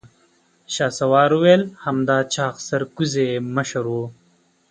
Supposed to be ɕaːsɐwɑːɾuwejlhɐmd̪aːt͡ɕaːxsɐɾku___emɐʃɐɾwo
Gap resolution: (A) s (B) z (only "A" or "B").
B